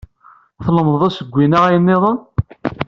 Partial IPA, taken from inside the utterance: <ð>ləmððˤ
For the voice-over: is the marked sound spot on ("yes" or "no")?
no